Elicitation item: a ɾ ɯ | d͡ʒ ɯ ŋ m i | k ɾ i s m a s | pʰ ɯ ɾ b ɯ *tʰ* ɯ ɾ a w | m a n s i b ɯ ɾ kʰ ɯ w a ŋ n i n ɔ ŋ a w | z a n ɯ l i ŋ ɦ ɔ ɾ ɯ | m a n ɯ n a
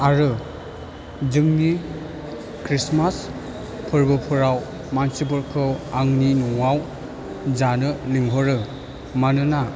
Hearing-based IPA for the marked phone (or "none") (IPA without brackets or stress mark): pʰ